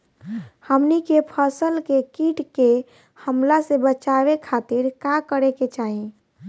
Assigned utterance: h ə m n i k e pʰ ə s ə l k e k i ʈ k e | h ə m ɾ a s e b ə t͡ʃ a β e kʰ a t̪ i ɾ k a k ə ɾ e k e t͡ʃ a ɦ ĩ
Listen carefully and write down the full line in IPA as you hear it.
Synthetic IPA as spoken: h ə m n i k e pʰ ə s ə l k e k i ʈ k e | h ə m l a s e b ə t͡ʃ a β e kʰ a t̪ i ɾ k a k ə ɾ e k e t͡ʃ a ɦ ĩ